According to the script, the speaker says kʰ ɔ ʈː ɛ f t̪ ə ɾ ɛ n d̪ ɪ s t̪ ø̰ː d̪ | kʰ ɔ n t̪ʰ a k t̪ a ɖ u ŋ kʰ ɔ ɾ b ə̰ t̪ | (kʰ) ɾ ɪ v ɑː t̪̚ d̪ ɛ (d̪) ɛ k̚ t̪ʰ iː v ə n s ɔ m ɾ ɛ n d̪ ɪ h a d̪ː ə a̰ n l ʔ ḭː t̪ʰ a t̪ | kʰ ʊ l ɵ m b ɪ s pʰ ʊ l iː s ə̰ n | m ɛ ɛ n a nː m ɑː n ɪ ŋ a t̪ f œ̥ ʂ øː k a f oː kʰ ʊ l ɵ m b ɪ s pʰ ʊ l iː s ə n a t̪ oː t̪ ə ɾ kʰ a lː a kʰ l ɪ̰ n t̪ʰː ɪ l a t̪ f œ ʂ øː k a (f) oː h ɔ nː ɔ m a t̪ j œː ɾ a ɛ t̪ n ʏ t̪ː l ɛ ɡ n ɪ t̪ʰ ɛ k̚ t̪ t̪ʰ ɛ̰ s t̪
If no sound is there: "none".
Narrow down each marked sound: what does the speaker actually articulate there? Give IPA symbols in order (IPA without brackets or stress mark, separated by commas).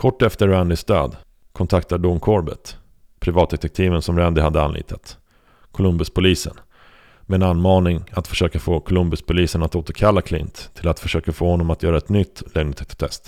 pʰ, t̪, f